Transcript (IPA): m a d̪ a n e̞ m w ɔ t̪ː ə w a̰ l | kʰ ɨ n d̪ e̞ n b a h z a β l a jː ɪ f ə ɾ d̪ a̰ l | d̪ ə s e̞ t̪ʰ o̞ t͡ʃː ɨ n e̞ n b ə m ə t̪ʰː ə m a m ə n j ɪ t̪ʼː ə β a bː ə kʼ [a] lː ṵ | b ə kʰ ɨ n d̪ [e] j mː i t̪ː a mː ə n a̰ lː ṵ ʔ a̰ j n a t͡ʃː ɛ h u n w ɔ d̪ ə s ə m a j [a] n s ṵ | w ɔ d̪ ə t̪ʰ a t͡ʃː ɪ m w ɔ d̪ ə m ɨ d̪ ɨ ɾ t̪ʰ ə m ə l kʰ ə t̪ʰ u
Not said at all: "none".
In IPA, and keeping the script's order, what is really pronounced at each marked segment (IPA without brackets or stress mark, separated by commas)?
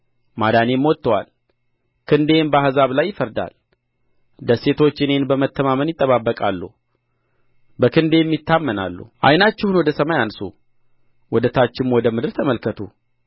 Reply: a, e, a